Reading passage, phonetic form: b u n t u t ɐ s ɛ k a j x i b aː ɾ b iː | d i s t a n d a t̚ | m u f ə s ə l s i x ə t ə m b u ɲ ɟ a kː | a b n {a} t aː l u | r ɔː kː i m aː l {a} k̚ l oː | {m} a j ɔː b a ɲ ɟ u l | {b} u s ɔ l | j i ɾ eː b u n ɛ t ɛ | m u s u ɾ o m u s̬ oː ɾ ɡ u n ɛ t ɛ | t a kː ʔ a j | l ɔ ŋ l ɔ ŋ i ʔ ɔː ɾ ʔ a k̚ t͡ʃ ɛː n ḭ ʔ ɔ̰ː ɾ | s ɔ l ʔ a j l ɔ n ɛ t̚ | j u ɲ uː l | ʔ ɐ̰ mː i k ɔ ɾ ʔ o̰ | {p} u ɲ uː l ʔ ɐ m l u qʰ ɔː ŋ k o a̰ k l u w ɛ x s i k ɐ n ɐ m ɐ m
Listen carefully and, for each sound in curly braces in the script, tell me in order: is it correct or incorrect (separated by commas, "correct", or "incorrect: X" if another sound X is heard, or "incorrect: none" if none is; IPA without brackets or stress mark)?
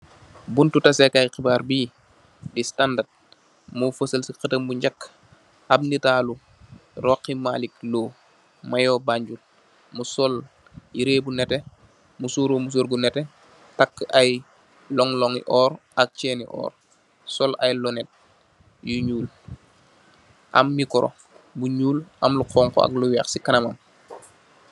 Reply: incorrect: i, incorrect: i, correct, incorrect: m, incorrect: b